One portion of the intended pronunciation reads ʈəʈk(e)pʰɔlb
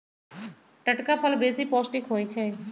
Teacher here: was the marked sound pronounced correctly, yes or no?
no